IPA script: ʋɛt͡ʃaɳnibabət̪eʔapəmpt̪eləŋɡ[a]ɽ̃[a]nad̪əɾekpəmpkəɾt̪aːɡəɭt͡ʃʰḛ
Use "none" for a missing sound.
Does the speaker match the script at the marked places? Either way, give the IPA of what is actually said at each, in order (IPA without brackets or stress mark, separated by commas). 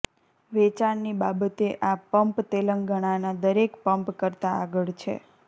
ə, a